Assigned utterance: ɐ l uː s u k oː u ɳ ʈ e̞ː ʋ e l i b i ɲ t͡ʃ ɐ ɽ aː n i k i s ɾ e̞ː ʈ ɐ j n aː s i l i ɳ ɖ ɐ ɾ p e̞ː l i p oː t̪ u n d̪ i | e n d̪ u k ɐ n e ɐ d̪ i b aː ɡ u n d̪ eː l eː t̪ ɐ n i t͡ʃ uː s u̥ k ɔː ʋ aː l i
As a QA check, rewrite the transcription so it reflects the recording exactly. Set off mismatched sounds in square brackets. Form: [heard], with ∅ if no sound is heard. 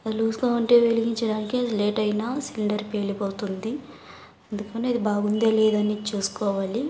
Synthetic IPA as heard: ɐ l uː s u k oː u ɳ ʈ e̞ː ʋ e l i [ɡ] i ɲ t͡ʃ ɐ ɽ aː n i k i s [l] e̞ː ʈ ɐ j n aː s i l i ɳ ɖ ɐ ɾ p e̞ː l i p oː t̪ u n d̪ i | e n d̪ u k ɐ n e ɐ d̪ i b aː ɡ u n d̪ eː l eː [d̪] ɐ n i t͡ʃ uː s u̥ k ɔː ʋ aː l i